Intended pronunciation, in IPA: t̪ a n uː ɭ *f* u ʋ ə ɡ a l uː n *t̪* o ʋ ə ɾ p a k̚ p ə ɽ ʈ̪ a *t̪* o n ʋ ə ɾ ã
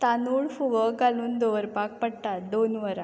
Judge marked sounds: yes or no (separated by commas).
yes, no, no